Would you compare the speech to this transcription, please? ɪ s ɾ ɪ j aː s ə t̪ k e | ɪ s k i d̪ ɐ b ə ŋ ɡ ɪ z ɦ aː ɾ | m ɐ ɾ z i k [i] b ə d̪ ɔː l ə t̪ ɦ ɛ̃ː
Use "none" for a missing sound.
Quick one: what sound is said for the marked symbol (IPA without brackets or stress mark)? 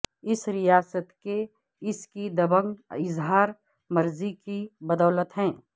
i